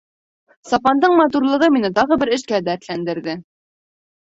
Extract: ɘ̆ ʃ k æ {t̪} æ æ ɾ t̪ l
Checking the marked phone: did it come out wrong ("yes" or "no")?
yes